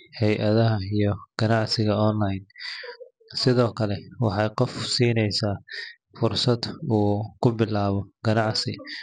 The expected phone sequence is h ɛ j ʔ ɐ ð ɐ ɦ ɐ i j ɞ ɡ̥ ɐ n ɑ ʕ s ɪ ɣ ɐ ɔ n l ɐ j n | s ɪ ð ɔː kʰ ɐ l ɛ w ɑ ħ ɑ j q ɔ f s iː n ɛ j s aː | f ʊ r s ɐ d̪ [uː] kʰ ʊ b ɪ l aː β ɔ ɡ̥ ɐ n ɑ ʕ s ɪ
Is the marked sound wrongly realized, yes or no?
no